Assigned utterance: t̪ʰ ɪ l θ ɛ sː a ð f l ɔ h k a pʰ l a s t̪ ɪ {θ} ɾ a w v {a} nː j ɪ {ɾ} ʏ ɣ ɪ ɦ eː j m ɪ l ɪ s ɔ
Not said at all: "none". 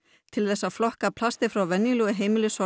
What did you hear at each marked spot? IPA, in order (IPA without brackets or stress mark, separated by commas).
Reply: f, ɛ, l